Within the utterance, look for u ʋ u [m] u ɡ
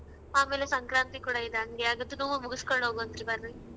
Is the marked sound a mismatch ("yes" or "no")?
no